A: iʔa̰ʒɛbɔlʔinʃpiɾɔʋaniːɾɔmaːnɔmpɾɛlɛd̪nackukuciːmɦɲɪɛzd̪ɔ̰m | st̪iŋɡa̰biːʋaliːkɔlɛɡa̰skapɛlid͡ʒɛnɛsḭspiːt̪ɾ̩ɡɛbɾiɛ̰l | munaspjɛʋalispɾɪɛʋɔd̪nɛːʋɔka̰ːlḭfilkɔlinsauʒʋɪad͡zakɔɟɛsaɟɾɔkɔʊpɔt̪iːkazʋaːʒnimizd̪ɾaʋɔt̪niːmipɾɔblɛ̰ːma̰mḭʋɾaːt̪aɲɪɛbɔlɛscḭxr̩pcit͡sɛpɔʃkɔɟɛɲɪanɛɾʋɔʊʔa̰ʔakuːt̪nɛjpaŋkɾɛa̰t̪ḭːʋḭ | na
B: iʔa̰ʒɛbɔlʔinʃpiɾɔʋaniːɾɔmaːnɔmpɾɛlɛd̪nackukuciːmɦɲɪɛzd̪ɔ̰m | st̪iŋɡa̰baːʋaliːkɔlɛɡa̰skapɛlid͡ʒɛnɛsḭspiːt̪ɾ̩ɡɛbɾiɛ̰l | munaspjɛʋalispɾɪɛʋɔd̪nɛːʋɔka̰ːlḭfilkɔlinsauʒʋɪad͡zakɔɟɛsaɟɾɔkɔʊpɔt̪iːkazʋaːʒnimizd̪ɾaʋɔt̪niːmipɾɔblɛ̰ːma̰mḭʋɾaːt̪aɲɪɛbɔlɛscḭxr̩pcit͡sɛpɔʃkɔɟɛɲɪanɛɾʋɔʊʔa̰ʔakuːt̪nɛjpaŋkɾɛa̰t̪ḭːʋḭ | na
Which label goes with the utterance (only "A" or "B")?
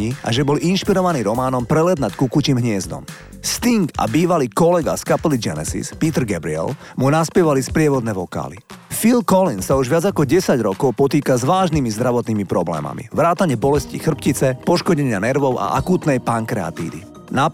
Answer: A